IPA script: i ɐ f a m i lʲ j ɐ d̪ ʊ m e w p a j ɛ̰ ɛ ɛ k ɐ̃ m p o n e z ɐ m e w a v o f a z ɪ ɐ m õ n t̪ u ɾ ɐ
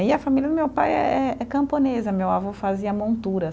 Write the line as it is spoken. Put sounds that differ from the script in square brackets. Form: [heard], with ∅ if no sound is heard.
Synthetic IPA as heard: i ɐ f a m i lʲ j ɐ d̪ ʊ m e w p a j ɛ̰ ɛ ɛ k ɐ̃ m p o n e z ɐ m e w a v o f a z [i] ɐ m õ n t̪ u ɾ ɐ